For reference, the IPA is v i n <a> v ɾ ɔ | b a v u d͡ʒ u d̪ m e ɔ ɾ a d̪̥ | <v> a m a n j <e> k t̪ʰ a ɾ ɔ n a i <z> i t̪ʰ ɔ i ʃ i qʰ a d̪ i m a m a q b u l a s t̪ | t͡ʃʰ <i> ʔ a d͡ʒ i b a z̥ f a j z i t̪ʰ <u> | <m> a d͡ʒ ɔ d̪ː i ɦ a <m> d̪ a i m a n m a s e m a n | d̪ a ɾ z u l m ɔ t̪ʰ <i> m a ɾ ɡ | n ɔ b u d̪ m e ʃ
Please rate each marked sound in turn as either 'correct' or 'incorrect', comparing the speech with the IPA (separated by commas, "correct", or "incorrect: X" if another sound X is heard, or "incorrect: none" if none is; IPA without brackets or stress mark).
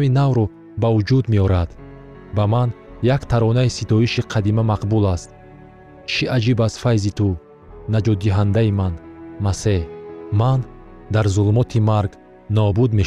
correct, incorrect: b, incorrect: a, incorrect: s, correct, correct, incorrect: n, incorrect: n, correct